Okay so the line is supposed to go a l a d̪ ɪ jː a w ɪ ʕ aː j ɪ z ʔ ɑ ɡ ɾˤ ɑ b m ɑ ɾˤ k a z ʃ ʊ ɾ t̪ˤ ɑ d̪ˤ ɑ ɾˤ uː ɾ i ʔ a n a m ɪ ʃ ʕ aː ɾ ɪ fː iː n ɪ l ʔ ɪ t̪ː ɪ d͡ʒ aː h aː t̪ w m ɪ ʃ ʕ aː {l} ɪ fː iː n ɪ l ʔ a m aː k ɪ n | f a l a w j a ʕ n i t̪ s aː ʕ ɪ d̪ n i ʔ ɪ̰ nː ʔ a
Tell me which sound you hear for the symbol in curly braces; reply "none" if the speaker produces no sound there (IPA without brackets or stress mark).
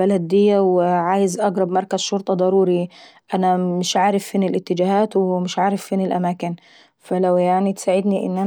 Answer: ɾ